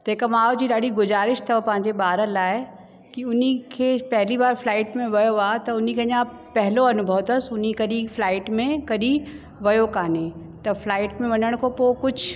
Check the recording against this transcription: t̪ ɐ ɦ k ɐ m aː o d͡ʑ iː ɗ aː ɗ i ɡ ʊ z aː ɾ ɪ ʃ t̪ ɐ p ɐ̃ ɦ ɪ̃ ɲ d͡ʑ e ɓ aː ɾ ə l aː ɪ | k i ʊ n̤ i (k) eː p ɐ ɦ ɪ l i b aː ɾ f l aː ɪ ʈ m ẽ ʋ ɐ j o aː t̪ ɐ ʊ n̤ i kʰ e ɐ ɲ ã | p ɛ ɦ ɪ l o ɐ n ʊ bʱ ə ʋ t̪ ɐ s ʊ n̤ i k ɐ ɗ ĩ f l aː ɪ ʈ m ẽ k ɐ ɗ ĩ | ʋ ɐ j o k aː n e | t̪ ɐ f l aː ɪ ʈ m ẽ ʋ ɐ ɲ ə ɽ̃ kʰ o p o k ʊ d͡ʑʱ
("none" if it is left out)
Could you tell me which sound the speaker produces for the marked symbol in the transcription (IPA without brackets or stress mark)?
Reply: kʰ